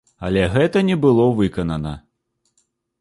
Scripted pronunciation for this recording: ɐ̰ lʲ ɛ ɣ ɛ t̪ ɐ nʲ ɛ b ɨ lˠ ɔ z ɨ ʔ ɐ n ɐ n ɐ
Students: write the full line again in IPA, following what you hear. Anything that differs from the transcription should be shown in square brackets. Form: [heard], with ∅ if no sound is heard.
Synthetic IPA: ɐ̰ lʲ ɛ ɣ ɛ t̪ ɐ nʲ ɛ b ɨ lˠ ɔ [v] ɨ [k] ɐ n ɐ n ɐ